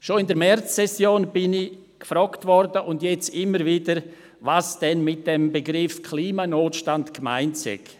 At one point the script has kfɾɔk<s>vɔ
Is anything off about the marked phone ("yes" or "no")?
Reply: yes